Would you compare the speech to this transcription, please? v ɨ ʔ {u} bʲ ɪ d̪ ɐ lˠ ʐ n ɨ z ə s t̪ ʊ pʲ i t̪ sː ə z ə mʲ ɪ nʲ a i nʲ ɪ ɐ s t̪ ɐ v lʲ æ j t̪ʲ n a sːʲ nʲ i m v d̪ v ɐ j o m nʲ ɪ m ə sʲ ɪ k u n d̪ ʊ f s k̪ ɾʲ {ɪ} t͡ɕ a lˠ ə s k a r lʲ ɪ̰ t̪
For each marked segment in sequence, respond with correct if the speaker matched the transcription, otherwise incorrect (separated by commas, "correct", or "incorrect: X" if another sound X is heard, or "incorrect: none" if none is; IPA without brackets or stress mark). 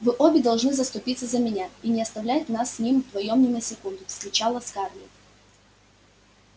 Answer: incorrect: o, correct